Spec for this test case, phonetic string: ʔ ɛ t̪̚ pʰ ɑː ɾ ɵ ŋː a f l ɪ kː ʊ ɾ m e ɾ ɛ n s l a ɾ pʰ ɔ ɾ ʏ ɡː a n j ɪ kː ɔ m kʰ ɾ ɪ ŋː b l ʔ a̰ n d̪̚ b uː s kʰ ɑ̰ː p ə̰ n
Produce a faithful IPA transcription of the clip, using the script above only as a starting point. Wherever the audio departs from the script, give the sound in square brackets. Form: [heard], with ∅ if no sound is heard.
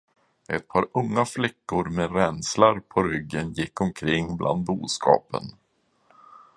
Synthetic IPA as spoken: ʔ ɛ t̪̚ pʰ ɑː ɾ ɵ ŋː a f l ɪ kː ʊ ɾ m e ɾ ɛ n s l a ɾ pʰ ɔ ɾ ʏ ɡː [ə] n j ɪ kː ɔ m kʰ ɾ ɪ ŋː b l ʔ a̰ n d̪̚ b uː s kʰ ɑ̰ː p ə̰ n